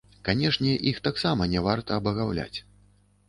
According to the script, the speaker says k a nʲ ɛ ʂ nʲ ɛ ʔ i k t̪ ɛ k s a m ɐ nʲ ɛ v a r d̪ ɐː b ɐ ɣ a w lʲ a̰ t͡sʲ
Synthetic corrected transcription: k a nʲ ɛ ʂ nʲ ɛ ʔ i x t̪ a k s a m ɐ nʲ ɛ v a r t̪ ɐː b ɐ ɣ a w lʲ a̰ t͡sʲ